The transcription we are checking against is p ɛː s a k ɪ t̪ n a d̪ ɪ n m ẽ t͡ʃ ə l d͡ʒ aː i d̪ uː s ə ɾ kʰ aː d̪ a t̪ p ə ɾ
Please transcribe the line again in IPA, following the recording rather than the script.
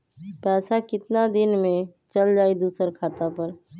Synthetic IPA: p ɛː s a k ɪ t̪ n a d̪ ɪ n m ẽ t͡ʃ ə l d͡ʒ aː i d̪ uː s ə ɾ kʰ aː t̪ a p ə ɾ